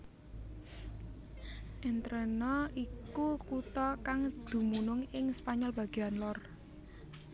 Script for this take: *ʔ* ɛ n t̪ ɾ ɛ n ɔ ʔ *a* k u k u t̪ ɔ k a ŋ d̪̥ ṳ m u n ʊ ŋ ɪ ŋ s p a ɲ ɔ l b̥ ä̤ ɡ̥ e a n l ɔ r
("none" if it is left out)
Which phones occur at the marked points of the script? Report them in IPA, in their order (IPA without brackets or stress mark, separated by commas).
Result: ʔ, i